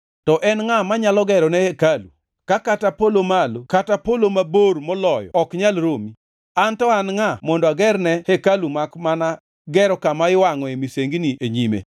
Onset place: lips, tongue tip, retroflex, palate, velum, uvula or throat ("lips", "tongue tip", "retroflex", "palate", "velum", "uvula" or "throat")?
tongue tip